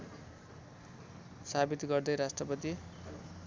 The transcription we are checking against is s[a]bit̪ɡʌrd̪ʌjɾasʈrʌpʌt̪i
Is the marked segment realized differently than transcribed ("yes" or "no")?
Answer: no